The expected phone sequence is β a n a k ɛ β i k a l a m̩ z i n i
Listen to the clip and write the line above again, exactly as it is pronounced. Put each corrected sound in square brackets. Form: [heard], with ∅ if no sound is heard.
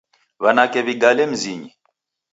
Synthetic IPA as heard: β a n a k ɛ β i [ɡ] a l [ɛ] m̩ z i [ɲ] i